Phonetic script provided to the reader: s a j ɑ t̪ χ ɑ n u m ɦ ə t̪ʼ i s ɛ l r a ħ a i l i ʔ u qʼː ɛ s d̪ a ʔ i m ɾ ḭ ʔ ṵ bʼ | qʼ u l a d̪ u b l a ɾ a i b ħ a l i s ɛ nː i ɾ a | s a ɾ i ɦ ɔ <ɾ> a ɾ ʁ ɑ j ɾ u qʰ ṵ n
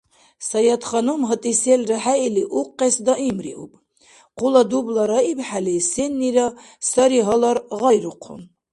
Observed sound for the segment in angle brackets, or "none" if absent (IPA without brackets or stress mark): l